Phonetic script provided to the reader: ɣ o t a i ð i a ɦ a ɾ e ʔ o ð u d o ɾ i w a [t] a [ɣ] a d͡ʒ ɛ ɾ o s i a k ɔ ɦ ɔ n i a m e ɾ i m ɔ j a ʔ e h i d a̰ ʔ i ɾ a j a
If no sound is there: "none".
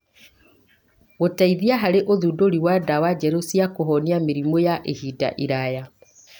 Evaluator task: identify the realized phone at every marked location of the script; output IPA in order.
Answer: d, w

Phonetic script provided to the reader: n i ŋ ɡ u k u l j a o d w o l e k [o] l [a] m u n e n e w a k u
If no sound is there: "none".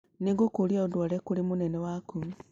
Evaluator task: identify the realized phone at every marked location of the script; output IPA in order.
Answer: u, i

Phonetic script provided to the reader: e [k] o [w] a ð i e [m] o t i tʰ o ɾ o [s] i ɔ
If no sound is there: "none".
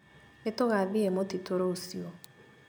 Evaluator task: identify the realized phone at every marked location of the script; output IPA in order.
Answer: t, ɣ, m, s

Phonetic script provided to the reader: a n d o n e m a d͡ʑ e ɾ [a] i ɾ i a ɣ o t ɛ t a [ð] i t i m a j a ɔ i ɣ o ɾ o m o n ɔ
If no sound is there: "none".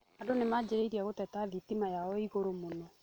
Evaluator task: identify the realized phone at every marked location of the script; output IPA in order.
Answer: e, ð

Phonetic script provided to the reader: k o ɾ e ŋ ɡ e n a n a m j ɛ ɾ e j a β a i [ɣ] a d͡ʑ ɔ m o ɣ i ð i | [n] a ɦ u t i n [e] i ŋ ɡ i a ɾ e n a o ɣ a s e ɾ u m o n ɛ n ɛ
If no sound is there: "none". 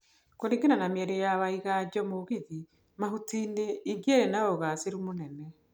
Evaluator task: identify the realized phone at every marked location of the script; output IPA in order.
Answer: ɣ, m, e

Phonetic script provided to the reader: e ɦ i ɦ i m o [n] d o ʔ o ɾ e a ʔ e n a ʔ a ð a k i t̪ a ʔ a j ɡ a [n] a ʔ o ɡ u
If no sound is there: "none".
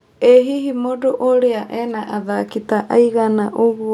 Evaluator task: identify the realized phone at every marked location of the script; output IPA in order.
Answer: none, n

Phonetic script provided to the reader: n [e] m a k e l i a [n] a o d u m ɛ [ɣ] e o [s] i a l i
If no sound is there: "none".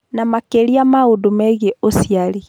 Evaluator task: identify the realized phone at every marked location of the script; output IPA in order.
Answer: a, m, ɣ, s

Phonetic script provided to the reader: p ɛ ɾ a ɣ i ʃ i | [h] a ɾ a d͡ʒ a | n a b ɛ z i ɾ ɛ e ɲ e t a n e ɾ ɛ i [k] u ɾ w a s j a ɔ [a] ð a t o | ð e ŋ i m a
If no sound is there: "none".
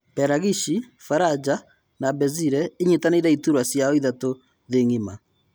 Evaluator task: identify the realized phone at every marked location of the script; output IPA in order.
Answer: f, t, i

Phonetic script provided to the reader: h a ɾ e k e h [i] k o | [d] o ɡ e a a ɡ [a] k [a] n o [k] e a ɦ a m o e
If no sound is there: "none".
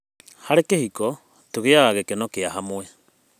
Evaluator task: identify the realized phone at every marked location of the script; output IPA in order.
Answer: i, t, e, e, k

